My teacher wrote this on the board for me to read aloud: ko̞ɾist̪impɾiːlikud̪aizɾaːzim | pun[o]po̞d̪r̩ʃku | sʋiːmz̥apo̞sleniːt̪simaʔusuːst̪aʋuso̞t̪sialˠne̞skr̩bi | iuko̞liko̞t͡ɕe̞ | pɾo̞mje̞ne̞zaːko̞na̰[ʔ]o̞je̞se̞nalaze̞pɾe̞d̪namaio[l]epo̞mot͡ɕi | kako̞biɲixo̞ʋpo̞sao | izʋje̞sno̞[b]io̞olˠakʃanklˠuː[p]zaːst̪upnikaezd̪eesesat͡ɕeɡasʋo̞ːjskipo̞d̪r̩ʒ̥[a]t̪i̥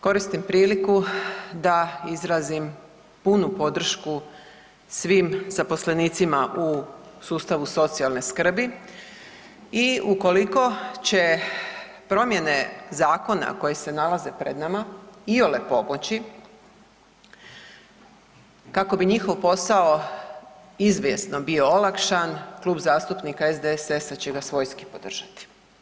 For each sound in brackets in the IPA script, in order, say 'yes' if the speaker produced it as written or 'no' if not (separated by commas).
no, no, yes, yes, no, yes